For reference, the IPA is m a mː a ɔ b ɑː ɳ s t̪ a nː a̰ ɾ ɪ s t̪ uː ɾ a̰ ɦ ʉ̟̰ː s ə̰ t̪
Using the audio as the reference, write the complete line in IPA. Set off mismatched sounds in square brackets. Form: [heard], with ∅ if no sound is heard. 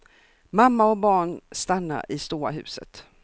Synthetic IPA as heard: m a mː a ɔ b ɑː ɳ s t̪ a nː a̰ ɾ ɪ s t̪ uː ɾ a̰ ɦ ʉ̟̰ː s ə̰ t̪